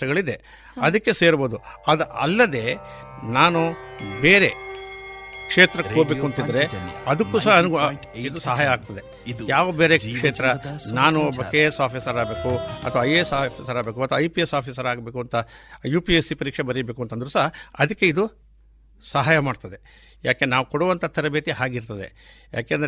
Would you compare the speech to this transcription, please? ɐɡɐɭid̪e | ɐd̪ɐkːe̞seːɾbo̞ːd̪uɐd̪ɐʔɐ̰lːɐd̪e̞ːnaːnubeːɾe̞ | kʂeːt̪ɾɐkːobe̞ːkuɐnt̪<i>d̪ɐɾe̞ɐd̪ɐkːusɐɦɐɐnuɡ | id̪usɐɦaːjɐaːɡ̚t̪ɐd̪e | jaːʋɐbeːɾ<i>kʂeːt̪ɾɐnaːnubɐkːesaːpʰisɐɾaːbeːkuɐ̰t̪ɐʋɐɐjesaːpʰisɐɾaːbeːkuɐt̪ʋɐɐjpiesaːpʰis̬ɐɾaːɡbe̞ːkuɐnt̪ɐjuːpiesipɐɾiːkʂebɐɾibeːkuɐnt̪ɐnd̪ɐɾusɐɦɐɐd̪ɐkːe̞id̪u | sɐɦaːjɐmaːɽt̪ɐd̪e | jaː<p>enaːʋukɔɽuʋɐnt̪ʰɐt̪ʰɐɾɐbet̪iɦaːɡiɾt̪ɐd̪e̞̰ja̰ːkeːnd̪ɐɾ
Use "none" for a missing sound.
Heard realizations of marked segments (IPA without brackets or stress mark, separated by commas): i, e, k